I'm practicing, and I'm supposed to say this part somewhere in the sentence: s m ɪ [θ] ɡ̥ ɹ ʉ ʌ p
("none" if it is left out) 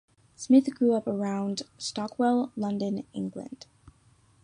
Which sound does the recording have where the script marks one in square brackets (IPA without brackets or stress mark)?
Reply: θ